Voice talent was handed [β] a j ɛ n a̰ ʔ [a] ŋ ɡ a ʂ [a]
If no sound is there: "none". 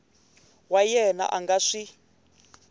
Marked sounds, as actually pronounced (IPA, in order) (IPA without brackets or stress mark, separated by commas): w, a, i